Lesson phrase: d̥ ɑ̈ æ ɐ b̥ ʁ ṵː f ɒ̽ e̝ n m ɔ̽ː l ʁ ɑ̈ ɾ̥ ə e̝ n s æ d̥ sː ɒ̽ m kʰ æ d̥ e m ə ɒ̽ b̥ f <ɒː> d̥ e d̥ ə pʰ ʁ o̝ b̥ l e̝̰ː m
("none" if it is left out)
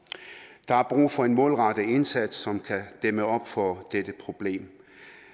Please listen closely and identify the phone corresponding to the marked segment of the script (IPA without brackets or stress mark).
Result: ɒ